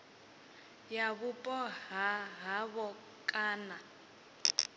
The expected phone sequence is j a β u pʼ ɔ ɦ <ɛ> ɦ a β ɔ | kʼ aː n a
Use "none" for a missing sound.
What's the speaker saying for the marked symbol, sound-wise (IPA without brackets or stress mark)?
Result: a